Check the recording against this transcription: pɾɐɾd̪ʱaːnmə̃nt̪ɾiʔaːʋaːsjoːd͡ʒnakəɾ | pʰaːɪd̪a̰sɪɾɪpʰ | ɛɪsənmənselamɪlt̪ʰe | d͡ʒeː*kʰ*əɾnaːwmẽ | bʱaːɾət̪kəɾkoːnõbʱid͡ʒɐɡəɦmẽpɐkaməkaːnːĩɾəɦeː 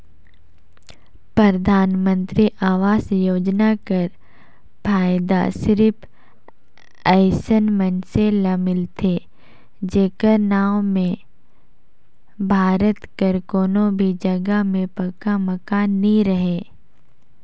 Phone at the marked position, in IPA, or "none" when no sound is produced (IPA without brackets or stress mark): k